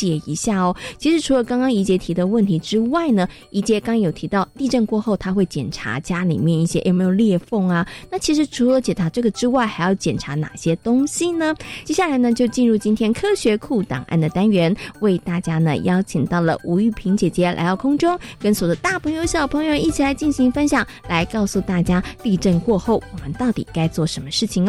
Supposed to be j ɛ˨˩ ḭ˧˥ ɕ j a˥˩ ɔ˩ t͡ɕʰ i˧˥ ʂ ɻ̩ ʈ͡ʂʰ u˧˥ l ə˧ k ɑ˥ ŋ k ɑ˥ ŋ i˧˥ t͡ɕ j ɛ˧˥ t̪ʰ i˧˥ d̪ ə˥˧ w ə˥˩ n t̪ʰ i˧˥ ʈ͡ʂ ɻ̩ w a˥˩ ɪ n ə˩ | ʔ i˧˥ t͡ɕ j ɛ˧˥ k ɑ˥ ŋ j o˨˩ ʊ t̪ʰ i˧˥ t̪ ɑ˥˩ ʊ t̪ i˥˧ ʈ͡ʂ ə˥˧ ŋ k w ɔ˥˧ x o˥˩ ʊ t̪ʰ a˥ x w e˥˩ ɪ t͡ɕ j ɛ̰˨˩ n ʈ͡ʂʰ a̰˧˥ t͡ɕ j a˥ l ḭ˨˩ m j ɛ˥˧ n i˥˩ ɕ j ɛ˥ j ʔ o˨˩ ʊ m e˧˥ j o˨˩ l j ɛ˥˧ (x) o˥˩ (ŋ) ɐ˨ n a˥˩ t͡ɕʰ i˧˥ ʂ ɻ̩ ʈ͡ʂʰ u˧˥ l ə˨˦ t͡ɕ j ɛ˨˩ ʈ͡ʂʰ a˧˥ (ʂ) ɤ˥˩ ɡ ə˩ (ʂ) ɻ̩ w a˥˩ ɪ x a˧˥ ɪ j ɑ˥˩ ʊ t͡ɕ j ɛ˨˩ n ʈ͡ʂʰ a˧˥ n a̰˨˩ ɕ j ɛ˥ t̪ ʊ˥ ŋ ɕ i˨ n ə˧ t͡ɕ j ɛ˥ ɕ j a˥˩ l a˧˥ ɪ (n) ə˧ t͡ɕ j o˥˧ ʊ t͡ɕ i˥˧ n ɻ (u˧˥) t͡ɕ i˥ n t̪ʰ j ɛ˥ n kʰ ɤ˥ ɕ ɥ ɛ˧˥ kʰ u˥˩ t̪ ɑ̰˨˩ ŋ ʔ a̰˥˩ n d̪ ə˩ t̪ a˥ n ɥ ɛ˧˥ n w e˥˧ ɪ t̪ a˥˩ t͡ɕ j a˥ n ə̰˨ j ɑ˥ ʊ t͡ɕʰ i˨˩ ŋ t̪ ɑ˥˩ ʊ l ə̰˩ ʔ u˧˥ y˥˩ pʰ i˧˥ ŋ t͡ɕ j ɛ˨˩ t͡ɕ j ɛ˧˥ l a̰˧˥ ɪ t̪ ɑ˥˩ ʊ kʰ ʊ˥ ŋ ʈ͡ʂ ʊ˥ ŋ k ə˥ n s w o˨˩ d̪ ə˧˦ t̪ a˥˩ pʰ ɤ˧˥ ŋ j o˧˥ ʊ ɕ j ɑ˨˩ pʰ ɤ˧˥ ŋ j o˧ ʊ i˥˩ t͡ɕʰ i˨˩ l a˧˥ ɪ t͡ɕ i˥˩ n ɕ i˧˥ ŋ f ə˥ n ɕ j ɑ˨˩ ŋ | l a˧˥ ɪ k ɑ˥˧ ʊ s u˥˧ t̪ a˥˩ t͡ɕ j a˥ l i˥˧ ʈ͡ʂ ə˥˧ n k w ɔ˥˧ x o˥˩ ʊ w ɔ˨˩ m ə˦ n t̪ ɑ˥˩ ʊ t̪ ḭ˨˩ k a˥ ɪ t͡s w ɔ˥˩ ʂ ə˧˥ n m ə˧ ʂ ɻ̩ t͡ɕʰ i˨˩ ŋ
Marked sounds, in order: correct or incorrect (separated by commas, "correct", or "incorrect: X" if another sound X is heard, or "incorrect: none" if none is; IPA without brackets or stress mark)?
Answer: incorrect: f, correct, incorrect: ʈ͡ʂ, incorrect: ʈ͡ʂ, correct, incorrect: u˥˩